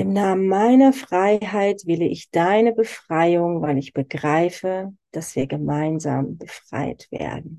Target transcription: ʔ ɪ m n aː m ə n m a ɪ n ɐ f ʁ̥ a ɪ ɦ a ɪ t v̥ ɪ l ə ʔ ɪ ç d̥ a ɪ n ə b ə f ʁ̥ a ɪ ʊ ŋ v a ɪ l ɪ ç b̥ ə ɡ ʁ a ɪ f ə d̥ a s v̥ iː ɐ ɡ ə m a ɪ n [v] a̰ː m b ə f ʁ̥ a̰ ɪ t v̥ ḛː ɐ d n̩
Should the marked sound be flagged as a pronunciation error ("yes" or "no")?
yes